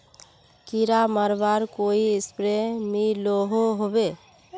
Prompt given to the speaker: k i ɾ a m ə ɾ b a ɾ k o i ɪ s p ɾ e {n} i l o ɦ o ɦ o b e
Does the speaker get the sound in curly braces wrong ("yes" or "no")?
yes